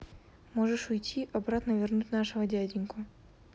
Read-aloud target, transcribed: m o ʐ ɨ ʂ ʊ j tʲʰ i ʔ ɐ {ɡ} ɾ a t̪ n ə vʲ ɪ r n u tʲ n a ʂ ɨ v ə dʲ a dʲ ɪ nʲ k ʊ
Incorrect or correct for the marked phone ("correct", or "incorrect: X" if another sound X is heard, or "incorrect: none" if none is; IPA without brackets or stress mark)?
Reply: incorrect: b